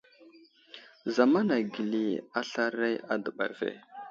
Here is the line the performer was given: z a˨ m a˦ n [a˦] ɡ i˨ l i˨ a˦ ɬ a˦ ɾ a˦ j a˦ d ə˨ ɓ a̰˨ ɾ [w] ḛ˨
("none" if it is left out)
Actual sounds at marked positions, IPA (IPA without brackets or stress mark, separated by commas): a˨, v